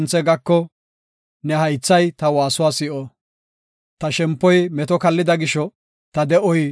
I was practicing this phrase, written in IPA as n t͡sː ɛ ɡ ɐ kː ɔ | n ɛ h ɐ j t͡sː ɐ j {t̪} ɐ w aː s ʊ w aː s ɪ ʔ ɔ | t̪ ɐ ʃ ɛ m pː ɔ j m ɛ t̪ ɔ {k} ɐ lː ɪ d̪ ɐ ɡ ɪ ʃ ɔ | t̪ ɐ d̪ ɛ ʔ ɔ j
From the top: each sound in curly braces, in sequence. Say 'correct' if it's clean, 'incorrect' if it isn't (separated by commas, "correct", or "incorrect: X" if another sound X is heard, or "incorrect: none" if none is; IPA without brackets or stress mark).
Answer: correct, correct